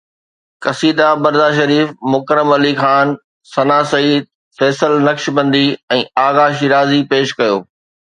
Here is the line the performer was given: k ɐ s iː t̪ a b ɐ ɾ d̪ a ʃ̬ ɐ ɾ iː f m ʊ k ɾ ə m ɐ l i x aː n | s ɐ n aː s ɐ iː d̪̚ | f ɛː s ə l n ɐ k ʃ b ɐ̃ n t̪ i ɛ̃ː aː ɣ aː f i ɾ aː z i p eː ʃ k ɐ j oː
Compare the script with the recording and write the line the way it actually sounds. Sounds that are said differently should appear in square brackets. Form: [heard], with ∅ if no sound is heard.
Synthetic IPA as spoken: k ɐ s iː [d̪] a b ɐ ɾ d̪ a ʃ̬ ɐ ɾ iː f m ʊ k ɾ ə m ɐ l i x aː n | s ɐ n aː s ɐ iː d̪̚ | f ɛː s ə l n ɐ k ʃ b ɐ̃ n [d̪] i ɛ̃ː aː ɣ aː [ʃ] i ɾ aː z i p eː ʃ k ɐ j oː